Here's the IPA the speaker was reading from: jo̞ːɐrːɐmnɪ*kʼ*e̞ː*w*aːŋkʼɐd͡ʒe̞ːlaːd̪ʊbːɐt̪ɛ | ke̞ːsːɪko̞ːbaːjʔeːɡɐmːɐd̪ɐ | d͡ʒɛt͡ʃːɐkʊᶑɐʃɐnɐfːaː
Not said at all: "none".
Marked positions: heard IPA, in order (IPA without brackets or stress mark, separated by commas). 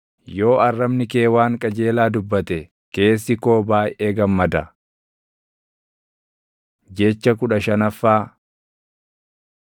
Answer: k, w